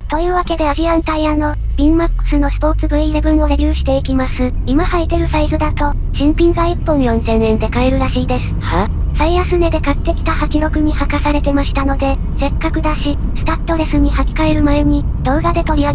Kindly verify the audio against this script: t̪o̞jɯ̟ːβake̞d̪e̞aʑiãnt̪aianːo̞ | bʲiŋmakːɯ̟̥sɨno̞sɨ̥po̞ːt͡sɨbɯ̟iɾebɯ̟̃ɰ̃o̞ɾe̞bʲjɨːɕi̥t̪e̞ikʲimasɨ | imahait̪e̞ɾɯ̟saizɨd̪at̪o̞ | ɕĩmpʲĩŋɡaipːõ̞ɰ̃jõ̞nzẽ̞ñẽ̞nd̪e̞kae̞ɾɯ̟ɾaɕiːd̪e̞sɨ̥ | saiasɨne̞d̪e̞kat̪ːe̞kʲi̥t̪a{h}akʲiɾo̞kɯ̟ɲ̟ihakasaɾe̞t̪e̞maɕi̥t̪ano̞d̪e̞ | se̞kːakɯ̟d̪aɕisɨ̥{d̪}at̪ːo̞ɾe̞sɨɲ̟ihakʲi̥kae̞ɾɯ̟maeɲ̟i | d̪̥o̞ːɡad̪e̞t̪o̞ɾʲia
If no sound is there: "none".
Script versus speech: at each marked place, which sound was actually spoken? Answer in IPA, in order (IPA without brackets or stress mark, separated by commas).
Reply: h, t̪